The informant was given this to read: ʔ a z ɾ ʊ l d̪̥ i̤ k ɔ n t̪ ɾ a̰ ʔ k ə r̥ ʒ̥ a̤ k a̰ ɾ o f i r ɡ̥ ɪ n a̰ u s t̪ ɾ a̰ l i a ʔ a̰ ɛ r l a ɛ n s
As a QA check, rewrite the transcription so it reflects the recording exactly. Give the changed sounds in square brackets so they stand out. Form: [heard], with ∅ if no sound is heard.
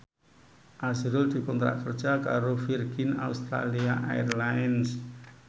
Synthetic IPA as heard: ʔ a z ɾ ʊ l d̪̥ i̤ k ɔ n t̪ ɾ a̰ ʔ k ə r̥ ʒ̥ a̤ k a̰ ɾ o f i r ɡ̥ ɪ n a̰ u s t̪ ɾ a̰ l i a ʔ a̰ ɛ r l a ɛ n s